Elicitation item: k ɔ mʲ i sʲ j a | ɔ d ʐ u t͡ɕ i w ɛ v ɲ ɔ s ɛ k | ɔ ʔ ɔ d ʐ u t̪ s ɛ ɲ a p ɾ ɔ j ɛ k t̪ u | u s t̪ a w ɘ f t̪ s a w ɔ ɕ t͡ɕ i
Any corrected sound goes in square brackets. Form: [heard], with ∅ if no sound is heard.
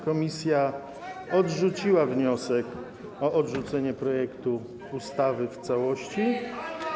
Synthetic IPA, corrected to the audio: k ɔ mʲ i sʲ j a | ɔ d ʐ u t͡ɕ i w [a] v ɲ ɔ s ɛ k | ɔ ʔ ɔ d ʐ u t̪ s ɛ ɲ [ɛ] p ɾ ɔ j ɛ k t̪ u | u s t̪ a [v] ɘ f t̪ s a w ɔ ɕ t͡ɕ i